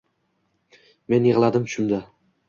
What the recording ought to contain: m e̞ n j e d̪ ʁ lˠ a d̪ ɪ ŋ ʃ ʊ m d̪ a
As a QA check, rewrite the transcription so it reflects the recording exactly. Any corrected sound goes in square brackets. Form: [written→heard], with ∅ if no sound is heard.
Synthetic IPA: m e̞ n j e [d̪→∅] ʁ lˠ a d̪ ɪ [ŋ→m] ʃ ʊ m d̪ a